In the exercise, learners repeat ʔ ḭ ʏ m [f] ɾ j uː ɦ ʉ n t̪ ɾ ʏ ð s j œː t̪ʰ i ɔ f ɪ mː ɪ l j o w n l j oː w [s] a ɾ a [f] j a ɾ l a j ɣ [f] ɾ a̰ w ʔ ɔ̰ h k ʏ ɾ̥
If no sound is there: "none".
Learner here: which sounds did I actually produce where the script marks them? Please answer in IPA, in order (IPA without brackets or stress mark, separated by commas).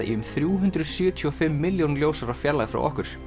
θ, s, f, f